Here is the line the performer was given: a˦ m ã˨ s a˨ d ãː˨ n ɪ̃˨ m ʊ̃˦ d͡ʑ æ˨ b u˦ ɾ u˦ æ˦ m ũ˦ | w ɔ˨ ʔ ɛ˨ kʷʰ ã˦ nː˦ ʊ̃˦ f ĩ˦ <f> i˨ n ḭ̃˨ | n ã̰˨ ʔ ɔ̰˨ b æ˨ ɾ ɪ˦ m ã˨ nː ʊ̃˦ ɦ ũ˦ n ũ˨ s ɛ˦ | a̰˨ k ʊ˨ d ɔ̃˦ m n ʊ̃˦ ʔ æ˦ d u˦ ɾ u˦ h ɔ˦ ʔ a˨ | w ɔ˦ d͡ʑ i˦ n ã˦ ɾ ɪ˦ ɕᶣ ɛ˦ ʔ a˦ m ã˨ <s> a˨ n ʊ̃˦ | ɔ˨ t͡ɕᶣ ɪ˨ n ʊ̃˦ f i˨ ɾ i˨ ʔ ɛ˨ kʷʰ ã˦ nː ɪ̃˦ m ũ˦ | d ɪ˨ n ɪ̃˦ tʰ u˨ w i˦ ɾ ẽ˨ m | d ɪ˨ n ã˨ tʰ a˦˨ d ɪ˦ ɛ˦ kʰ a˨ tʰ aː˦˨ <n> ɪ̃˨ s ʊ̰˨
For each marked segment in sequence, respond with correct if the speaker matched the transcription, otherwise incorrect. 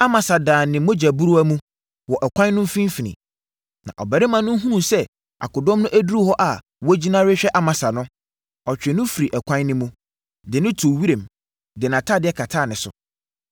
correct, correct, correct

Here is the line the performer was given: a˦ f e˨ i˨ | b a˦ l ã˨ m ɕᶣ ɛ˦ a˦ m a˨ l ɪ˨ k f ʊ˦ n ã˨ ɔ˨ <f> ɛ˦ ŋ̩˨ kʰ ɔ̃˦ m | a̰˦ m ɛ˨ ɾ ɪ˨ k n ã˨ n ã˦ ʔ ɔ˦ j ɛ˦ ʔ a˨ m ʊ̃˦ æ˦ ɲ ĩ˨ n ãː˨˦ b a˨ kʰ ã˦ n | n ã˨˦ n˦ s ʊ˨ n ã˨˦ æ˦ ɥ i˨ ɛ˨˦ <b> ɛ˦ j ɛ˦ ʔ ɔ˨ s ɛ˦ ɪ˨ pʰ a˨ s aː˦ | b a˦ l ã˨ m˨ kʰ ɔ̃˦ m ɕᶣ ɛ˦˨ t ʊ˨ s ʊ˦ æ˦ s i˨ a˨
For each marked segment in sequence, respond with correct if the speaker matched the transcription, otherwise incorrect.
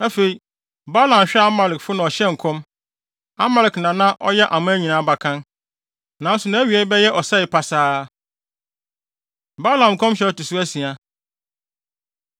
incorrect: ɕ, correct

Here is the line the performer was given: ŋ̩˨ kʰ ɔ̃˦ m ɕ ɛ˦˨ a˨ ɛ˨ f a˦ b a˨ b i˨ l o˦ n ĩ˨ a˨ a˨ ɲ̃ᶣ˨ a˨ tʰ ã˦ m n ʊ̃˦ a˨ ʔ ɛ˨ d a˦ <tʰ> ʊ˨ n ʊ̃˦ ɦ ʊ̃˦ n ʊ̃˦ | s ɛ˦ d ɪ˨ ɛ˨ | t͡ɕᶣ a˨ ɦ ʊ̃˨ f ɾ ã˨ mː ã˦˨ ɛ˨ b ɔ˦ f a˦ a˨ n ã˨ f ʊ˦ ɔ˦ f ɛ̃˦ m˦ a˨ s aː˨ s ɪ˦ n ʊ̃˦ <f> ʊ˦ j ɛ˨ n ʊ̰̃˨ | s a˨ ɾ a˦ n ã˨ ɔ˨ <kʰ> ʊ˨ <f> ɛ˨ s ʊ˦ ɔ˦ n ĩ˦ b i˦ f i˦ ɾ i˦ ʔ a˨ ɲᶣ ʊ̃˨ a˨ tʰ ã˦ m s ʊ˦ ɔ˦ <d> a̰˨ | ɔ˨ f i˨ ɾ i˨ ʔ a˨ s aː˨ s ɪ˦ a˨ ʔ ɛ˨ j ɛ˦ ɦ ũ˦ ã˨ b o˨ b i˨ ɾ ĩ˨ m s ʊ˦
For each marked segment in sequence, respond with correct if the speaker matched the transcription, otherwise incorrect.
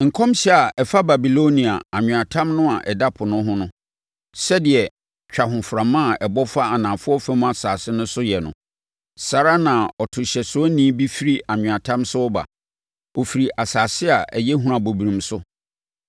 incorrect: pʰ, incorrect: s, incorrect: tʰ, incorrect: ɕ, incorrect: b

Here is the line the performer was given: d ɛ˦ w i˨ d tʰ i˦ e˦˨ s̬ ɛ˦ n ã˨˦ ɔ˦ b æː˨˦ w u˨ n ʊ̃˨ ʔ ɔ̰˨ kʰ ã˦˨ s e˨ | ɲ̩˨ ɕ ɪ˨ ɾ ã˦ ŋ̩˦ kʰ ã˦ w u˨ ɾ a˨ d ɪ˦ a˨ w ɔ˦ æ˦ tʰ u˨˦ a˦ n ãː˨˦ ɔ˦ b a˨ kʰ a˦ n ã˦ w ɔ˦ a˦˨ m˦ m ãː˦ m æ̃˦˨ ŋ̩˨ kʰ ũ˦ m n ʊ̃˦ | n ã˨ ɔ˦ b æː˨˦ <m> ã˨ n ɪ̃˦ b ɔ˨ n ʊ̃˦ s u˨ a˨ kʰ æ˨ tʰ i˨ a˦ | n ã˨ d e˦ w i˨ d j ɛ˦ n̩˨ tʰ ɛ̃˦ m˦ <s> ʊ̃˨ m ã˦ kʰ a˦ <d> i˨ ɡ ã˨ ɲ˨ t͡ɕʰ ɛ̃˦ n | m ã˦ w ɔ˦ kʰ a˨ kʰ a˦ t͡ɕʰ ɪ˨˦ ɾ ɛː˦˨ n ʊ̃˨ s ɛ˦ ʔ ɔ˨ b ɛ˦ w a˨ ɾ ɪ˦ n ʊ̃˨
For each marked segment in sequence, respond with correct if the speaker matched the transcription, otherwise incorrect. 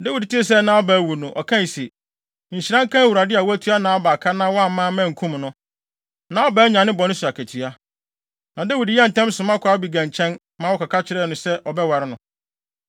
incorrect: ɲ, correct, incorrect: b

